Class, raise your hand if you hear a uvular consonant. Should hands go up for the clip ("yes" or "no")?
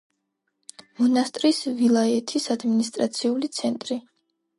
no